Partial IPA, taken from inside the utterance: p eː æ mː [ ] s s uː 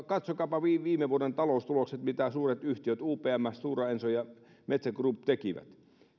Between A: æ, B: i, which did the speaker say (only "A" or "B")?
A